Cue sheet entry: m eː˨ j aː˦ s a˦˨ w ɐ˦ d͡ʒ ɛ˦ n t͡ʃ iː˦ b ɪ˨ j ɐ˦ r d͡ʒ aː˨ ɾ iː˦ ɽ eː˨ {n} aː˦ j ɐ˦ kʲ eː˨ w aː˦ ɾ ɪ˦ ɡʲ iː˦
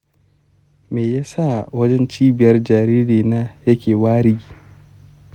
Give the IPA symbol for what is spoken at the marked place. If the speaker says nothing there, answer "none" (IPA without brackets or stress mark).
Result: n